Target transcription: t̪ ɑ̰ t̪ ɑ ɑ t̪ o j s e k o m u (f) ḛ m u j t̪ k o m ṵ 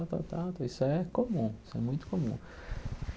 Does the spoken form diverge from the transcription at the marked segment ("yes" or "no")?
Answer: yes